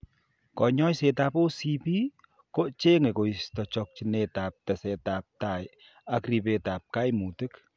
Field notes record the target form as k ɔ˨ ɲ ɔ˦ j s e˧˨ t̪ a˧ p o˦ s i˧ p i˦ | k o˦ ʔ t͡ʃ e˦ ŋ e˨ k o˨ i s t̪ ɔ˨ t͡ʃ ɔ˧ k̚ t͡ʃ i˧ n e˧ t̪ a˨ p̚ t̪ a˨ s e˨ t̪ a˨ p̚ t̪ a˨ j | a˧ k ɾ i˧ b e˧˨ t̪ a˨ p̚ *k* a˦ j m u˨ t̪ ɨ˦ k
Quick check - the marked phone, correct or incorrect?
correct